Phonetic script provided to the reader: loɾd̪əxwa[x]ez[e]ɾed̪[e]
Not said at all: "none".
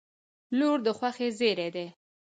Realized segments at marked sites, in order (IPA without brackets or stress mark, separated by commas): x, e, e